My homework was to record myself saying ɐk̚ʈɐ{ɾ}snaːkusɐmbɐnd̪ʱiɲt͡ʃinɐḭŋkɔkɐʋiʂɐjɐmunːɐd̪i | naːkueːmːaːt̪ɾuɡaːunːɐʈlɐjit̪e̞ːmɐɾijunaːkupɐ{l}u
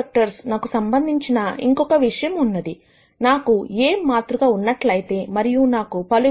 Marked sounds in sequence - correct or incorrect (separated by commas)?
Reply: correct, correct